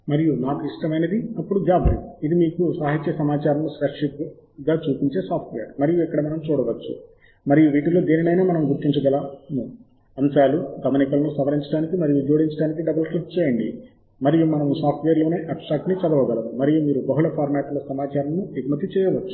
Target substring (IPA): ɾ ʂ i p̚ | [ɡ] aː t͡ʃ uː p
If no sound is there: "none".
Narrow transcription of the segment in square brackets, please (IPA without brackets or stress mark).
ɡ